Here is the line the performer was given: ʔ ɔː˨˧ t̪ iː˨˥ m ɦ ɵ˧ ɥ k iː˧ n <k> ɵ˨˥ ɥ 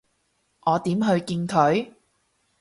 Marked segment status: incorrect: kʰ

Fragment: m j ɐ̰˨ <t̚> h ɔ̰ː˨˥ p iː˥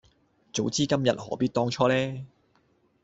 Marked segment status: correct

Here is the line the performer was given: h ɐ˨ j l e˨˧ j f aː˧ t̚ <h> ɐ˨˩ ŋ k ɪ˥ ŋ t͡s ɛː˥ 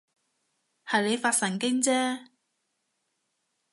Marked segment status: incorrect: s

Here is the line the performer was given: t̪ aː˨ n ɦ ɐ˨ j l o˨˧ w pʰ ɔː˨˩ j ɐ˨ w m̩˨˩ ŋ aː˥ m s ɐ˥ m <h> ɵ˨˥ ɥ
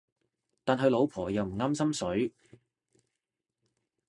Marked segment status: incorrect: s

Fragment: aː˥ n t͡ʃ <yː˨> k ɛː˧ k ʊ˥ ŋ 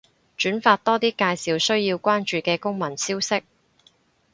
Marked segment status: correct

